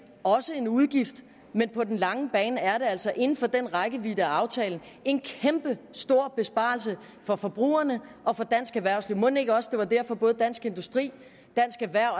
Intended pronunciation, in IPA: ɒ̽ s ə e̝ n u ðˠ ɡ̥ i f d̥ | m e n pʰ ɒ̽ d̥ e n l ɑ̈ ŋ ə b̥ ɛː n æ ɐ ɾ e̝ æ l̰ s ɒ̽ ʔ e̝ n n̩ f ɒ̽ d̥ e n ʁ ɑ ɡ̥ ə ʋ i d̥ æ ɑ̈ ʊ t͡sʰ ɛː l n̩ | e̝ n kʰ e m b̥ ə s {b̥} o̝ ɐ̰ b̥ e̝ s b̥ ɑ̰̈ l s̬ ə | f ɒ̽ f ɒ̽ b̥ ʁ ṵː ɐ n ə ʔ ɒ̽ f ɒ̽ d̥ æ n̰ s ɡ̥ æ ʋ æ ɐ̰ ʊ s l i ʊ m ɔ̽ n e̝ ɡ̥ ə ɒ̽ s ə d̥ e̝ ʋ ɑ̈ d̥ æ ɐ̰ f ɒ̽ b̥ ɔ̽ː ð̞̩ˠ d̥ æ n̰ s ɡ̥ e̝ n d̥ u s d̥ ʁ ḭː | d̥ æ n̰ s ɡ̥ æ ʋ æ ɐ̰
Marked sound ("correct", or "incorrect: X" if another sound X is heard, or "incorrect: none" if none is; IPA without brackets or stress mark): incorrect: d̥